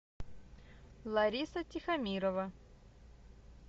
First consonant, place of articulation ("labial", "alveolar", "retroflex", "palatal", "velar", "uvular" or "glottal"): alveolar